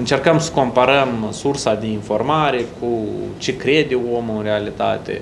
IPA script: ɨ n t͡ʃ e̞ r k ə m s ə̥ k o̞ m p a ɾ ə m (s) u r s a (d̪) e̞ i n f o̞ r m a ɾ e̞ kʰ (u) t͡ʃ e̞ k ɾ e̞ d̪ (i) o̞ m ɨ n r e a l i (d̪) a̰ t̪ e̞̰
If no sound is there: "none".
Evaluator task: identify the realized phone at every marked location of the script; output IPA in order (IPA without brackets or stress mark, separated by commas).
s, d̪, u, e, t̪